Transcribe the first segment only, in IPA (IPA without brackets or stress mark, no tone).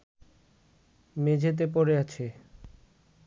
m